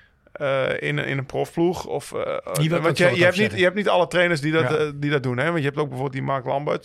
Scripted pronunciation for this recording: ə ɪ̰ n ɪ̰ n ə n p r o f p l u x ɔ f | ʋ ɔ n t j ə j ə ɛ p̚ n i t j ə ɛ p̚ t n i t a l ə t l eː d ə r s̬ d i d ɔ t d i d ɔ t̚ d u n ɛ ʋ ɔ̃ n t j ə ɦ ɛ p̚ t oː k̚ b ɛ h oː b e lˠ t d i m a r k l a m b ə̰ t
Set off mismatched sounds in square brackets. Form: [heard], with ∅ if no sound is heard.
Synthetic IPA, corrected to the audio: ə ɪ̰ n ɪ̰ n ə n p r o f p l u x ɔ f | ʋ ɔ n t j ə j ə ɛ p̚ n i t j ə ɛ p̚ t n i t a l ə t [r] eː [n] ə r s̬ d i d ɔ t d i d ɔ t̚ d u n ɛ ʋ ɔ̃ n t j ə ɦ ɛ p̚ t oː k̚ b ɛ [f] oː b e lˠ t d i m a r k l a m b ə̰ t